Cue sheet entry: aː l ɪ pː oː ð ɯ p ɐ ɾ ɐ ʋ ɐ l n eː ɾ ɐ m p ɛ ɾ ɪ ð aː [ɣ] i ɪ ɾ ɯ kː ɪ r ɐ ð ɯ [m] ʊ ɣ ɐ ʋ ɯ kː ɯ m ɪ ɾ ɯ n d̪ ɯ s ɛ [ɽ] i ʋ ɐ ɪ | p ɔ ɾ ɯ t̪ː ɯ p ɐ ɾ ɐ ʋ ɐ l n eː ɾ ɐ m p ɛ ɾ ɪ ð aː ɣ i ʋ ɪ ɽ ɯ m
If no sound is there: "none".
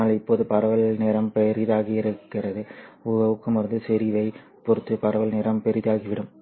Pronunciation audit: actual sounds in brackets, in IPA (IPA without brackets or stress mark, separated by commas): ɣ, none, ɾ